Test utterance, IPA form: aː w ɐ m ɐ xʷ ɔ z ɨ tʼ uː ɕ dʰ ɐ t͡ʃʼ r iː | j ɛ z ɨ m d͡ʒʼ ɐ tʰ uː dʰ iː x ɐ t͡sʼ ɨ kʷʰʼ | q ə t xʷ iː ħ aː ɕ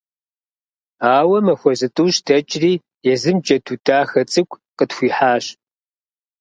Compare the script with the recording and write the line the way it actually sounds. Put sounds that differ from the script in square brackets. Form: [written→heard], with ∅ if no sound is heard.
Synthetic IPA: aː w ɐ m ɐ xʷ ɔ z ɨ tʼ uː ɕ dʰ ɐ t͡ʃʼ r iː | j ɛ z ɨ m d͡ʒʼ ɐ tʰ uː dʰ [iː→aː] x ɐ t͡sʼ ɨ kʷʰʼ | q ə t xʷ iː ħ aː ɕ

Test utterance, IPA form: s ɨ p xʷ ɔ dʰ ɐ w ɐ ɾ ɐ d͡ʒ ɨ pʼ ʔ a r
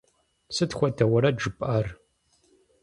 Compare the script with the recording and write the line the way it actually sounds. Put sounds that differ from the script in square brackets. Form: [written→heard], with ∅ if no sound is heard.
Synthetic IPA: s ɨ [p→t] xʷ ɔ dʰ ɐ w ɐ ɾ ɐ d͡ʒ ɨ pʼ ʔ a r

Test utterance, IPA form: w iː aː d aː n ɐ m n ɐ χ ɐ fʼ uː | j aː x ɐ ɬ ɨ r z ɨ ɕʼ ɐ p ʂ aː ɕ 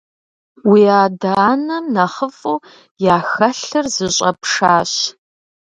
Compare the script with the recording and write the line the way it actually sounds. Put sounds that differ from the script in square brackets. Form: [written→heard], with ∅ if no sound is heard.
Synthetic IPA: w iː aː d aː n ɐ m n ɐ χ [ɐ→ə] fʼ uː | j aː x ɐ ɬ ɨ r z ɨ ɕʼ ɐ p ʂ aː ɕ

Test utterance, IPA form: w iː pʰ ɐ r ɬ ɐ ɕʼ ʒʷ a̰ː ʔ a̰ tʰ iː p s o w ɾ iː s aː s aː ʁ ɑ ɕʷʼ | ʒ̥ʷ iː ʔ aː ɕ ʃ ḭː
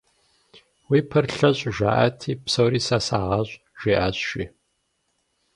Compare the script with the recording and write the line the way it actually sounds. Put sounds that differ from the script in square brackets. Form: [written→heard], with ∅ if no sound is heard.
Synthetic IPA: w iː pʰ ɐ r ɬ ɐ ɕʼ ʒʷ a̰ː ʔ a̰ tʰ iː p s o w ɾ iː s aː s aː ʁ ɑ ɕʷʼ | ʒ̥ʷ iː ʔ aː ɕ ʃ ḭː

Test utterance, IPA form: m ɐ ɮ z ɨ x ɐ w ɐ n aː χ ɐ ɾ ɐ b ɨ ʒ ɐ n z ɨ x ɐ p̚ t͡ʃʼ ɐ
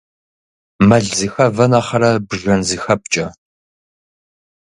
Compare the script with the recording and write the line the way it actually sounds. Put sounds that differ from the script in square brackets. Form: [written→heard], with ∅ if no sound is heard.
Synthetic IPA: m ɐ ɮ z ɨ x ɐ [w→v] ɐ n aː χ ɐ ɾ ɐ b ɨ ʒ ɐ n z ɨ x ɐ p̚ t͡ʃʼ ɐ

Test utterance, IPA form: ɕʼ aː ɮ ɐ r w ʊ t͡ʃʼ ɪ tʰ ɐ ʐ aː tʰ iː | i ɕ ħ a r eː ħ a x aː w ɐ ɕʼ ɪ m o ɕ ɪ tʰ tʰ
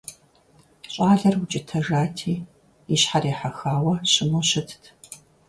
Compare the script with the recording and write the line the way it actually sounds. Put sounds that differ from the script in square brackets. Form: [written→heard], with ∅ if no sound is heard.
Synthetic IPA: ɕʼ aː ɮ ɐ r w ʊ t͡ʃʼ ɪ tʰ ɐ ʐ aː tʰ iː | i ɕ ħ a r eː ħ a x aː w ɐ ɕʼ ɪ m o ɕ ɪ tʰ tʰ

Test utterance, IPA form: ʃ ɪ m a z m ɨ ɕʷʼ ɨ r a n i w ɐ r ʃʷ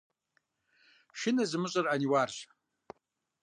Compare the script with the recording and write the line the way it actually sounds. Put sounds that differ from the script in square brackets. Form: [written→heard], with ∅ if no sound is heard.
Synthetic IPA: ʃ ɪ [m→n] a z m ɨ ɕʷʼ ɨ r a n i w [ɐ→a] r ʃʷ

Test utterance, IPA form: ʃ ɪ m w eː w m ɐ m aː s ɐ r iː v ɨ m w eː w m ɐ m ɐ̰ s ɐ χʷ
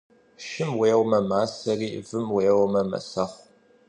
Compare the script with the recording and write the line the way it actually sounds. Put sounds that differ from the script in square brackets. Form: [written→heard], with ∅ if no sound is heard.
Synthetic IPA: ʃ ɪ m w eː w m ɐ m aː s ɐ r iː v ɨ m w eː w m ɐ m ɐ̰ s ɐ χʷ

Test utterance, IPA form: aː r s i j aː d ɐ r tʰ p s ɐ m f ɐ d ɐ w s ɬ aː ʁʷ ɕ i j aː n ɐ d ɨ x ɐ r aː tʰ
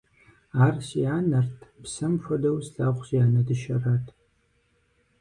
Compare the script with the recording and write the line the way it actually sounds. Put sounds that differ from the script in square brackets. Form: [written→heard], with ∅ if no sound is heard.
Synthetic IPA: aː r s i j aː [d→n] ɐ r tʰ p s ɐ m f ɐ d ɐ w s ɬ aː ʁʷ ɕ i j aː n ɐ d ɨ [x→ʃ] ɐ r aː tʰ

